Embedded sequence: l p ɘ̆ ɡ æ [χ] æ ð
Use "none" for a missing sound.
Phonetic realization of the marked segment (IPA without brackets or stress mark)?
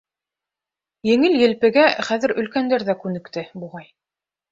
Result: χ